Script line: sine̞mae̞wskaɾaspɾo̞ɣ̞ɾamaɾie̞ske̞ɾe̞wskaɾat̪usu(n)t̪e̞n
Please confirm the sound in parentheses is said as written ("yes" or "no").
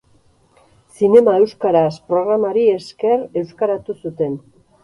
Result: no